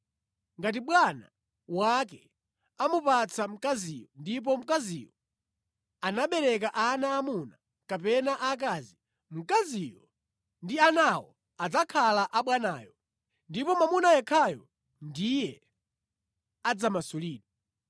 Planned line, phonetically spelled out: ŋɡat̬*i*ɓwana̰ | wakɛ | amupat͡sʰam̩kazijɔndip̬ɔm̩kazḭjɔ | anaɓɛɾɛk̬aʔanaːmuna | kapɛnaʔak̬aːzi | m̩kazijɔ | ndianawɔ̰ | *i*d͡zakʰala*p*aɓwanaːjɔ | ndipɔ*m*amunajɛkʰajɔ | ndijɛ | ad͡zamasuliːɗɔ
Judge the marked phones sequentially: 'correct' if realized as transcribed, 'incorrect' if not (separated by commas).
correct, incorrect, incorrect, correct